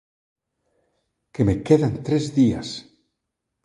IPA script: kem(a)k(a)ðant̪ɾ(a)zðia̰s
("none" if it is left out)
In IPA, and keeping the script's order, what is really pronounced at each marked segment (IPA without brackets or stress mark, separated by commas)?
e, e, e